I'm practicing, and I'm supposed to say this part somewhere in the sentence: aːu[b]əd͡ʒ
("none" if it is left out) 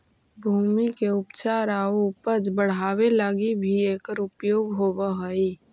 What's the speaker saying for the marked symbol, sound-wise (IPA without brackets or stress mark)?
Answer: p